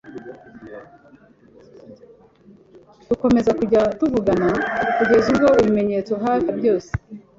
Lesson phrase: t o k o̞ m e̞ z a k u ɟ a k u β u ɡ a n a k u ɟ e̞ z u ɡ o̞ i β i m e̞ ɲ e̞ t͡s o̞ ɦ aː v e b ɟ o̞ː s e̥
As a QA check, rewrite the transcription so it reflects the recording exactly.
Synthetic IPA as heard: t u k o̞ m e̞ z a k u ɟ a t u v u ɡ a n a k u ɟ e̞ z u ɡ o̞ i β i m e̞ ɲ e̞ t͡s o̞ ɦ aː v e b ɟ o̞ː s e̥